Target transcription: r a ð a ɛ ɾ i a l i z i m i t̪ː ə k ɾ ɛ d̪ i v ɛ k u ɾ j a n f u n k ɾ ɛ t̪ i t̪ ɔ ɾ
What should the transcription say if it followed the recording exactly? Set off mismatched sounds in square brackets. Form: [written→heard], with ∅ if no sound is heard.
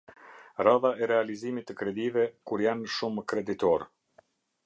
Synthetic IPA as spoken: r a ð a ɛ ɾ [i→ɛ] a l i z i m i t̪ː ə k ɾ ɛ d̪ i v ɛ k u ɾ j a n [f→ʃ] u [n→m] k ɾ ɛ [t̪→d̪] i t̪ ɔ ɾ